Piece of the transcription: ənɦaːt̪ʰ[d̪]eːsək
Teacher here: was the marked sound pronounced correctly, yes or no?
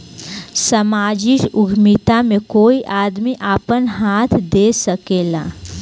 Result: yes